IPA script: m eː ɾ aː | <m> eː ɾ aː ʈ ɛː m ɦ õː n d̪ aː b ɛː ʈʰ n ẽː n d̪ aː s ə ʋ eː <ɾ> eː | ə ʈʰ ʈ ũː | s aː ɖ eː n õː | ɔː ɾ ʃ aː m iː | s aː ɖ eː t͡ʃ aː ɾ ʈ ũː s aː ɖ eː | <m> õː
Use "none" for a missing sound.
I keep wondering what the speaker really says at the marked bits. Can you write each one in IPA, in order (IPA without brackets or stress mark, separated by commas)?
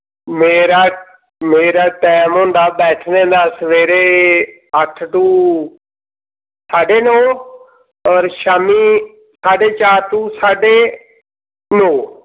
m, ɾ, n